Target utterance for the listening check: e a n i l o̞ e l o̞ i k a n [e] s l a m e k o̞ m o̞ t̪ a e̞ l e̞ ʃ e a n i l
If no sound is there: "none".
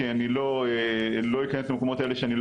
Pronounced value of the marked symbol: e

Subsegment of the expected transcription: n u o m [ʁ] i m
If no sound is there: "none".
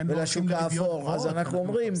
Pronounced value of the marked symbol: ʁ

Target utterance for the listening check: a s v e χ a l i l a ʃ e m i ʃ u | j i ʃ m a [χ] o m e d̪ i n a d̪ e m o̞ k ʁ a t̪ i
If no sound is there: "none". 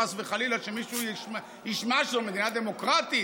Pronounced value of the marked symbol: ʃ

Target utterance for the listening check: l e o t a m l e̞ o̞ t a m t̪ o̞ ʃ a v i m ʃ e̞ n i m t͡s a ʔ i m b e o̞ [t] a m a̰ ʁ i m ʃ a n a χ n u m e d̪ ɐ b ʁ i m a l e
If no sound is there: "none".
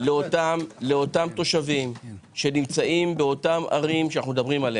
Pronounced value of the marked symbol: t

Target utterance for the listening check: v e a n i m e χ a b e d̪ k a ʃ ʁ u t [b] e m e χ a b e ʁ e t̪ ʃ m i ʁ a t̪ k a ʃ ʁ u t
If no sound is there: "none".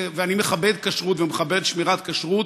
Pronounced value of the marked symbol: v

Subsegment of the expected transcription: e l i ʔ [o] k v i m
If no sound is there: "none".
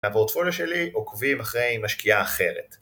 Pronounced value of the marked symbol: o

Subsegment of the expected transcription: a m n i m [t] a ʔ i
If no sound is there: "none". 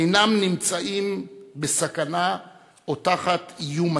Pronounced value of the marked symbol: t͡s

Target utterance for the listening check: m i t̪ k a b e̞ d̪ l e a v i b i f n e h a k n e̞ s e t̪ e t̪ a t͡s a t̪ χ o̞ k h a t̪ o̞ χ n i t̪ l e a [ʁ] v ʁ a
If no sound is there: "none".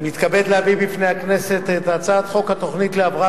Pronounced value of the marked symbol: none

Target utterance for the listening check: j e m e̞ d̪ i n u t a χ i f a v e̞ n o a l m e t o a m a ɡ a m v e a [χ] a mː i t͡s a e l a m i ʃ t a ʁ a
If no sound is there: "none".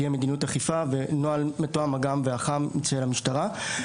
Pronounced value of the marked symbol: χ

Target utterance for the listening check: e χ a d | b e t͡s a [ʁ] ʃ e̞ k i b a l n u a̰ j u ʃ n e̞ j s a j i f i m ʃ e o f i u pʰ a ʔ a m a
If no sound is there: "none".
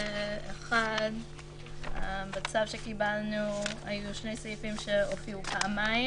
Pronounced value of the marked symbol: v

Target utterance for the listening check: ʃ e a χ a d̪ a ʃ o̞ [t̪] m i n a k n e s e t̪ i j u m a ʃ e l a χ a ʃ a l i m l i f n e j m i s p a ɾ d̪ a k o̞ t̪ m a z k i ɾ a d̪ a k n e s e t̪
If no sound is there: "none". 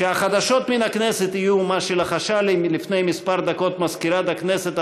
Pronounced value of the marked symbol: t̪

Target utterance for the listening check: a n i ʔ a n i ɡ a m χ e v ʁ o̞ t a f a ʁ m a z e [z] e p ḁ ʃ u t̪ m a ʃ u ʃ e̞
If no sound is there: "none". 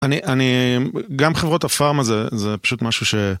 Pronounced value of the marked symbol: z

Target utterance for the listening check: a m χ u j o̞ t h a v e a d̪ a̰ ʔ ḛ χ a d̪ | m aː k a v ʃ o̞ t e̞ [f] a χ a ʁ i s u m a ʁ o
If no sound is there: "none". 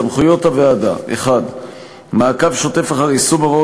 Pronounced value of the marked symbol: f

